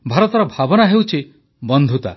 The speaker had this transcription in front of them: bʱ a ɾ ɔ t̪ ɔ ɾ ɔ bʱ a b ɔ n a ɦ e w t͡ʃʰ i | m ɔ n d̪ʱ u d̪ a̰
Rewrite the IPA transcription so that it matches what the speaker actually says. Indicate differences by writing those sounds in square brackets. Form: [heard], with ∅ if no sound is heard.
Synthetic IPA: bʱ a ɾ ɔ t̪ ɔ ɾ ɔ bʱ a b ɔ n a ɦ e w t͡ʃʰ i | [b] ɔ n d̪ʱ u [t̪] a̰